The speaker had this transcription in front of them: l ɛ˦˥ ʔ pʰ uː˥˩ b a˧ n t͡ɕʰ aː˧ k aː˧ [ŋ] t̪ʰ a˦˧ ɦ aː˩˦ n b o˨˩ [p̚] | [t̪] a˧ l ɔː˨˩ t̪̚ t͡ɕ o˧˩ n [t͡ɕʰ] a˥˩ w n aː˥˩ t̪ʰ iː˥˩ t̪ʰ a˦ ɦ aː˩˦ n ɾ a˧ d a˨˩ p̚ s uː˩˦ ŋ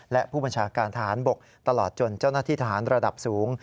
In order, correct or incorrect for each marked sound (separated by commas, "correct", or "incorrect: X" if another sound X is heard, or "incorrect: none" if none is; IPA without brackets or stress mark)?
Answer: incorrect: n, incorrect: k̚, correct, incorrect: t͡ɕ